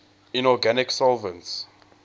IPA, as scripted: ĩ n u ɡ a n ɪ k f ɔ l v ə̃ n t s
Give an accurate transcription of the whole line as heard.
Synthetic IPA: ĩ n ɔ ɡ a n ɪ k s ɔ l v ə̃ n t s